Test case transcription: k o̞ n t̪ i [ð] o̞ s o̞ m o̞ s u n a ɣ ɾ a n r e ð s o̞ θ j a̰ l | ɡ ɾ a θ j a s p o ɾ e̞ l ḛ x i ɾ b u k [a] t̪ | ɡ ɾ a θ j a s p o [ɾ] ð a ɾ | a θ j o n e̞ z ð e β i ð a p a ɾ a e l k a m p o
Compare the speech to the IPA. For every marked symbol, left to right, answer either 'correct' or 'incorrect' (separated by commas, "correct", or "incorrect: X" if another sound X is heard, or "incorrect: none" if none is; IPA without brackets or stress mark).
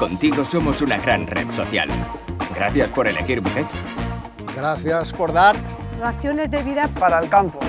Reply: incorrect: ɣ, incorrect: e, correct